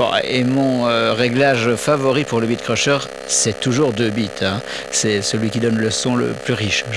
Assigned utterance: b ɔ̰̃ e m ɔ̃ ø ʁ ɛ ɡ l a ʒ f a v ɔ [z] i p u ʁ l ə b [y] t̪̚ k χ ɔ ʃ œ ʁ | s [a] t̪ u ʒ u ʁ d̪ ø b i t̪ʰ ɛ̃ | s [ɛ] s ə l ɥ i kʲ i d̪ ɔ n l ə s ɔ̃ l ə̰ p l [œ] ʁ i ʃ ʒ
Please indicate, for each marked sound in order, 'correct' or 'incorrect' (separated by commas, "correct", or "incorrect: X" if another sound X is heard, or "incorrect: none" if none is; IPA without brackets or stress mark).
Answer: incorrect: ʁ, incorrect: i, incorrect: ɛ, correct, incorrect: y